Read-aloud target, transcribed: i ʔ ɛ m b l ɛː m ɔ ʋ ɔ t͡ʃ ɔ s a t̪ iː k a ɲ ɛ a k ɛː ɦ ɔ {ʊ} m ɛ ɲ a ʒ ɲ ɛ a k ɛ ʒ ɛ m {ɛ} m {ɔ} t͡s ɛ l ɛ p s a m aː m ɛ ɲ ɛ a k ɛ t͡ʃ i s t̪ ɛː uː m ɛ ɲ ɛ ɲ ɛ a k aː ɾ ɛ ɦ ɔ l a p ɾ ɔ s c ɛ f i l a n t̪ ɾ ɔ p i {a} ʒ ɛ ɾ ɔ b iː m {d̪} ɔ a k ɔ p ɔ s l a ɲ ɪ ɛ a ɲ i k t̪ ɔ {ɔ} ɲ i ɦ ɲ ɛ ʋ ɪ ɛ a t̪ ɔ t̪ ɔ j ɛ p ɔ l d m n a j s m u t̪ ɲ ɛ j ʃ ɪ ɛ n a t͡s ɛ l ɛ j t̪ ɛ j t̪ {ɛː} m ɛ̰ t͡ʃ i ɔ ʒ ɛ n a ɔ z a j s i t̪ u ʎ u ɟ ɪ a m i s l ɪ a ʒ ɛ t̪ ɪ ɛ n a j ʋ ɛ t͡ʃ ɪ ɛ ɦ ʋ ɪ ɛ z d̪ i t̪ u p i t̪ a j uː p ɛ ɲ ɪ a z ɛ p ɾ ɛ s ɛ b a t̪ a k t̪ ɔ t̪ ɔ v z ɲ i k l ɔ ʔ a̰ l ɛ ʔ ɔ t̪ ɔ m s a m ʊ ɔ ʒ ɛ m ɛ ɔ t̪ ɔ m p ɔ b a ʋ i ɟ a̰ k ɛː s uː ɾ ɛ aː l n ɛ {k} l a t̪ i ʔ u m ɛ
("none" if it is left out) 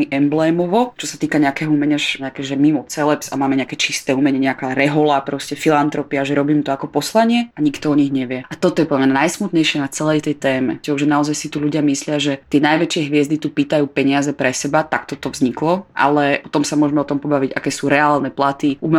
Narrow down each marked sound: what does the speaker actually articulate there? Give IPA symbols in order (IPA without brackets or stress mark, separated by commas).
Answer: u, i, ɔ, a, t̪, ɔ, ɛː, p